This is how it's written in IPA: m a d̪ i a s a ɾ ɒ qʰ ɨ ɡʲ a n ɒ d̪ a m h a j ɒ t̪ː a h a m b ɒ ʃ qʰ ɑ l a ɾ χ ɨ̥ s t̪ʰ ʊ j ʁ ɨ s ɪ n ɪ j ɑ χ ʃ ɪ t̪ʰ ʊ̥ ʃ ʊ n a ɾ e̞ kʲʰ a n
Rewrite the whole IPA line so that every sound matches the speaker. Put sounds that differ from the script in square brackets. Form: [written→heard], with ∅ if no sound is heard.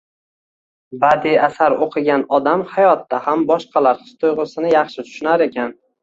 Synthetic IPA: [m→b] a d̪ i a s a ɾ [ɒ→o] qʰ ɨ ɡʲ a n ɒ d̪ a m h a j ɒ t̪ː a h a m b ɒ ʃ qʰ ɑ l a ɾ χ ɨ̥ s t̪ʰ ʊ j ʁ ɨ s ɪ n ɪ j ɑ χ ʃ ɪ t̪ʰ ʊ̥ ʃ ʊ n a ɾ e̞ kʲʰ a n